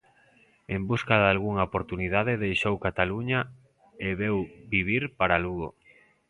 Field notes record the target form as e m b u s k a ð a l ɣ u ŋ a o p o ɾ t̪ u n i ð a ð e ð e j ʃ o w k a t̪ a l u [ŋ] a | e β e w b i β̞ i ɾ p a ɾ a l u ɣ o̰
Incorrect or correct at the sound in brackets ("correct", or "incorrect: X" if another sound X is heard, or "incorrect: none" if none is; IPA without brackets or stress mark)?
incorrect: ɲ